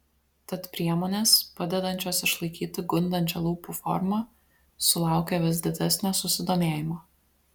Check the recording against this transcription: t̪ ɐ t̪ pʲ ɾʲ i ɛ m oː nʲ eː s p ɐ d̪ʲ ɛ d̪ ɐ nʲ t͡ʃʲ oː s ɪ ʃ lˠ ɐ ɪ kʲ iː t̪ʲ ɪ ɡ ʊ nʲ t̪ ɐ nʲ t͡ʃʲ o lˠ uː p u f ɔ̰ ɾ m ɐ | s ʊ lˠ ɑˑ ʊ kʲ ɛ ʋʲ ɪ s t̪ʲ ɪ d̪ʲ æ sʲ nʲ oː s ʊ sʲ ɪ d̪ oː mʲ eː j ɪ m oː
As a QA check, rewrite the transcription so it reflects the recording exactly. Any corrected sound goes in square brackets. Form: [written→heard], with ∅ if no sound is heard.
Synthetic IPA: t̪ ɐ t̪ pʲ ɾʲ i ɛ m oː nʲ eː s p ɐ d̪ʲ ɛ d̪ ɐ nʲ t͡ʃʲ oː s ɪ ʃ lˠ ɐ ɪ kʲ iː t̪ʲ ɪ ɡ ʊ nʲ [t̪→d̪] ɐ nʲ t͡ʃʲ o lˠ uː p u f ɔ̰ ɾ m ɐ | s ʊ lˠ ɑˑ ʊ kʲ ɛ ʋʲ ɪ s [t̪ʲ→d̪ʲ] ɪ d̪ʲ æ sʲ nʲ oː s ʊ sʲ ɪ d̪ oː mʲ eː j ɪ m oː

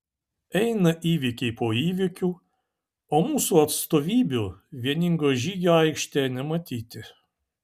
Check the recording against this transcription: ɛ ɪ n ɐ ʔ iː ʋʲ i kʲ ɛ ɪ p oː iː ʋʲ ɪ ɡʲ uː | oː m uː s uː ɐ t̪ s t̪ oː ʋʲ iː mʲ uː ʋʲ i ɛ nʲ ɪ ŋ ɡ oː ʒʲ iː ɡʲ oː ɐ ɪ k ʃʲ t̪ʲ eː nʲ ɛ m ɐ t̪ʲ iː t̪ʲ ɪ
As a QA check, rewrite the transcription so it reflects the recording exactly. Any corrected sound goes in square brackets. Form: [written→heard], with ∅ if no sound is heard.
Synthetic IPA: ɛ ɪ n ɐ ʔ iː ʋʲ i kʲ ɛ ɪ p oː iː ʋʲ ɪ [ɡʲ→kʲ] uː | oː m uː s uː ɐ t̪ s t̪ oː ʋʲ iː [mʲ→bʲ] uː ʋʲ i ɛ nʲ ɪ ŋ ɡ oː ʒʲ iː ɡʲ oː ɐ ɪ k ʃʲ t̪ʲ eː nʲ ɛ m ɐ t̪ʲ iː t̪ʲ ɪ

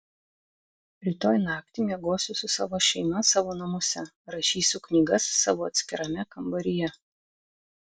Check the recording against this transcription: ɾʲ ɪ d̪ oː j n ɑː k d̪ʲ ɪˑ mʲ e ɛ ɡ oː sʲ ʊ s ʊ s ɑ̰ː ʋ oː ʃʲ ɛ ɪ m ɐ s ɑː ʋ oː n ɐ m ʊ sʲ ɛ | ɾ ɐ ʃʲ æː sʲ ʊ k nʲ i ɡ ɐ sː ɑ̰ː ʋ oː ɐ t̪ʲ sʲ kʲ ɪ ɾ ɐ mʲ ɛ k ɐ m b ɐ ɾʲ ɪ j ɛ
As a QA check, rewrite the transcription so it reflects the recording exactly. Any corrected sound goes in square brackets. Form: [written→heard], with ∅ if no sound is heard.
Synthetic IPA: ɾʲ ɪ [d̪→t̪] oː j n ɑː k [d̪ʲ→t̪ʲ] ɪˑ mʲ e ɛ ɡ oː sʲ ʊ s ʊ s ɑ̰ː ʋ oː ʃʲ ɛ ɪ m ɐ s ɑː ʋ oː n ɐ m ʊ sʲ ɛ | ɾ ɐ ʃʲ [æː→iː] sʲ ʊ k nʲ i ɡ ɐ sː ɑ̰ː ʋ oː ɐ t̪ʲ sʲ kʲ ɪ ɾ ɐ mʲ ɛ k ɐ m b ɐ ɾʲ ɪ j ɛ

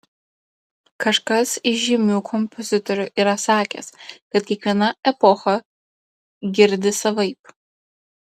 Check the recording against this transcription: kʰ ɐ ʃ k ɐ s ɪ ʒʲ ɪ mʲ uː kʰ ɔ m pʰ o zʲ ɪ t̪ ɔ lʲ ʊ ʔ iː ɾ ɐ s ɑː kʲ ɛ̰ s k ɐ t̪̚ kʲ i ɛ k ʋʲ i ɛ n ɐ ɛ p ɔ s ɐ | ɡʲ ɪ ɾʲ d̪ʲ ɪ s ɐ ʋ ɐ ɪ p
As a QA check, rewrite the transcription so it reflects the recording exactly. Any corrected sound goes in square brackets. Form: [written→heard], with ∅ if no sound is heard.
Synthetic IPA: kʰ ɐ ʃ k ɐ s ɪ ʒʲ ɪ mʲ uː kʰ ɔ m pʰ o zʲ ɪ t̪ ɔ [lʲ→ɾʲ] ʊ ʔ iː ɾ ɐ s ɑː kʲ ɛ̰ s k ɐ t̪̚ kʲ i ɛ k ʋʲ i ɛ n ɐ ɛ p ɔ [s→x] ɐ | ɡʲ ɪ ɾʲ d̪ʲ ɪ s ɐ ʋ ɐ ɪ p

